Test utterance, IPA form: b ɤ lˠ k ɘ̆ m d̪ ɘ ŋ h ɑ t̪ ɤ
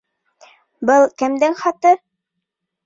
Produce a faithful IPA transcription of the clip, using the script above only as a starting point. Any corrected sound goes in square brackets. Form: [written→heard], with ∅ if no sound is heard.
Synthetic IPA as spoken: b ɤ lˠ k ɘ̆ m d̪ ɘ ŋ [h→χ] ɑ t̪ ɤ